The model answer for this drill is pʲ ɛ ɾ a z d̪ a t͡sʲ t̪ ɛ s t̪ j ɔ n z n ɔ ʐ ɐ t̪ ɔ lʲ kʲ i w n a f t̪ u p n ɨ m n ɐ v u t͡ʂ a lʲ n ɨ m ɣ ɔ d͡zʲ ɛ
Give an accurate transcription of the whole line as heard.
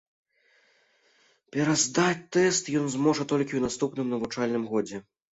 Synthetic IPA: pʲ ɛ ɾ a z d̪ a t͡sʲ t̪ ɛ s t̪ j ɔ n z m ɔ ʐ ɐ t̪ ɔ lʲ kʲ i w n a s t̪ u p n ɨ m n ɐ v u t͡ʂ a lʲ n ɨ m ɣ ɔ d͡zʲ ɛ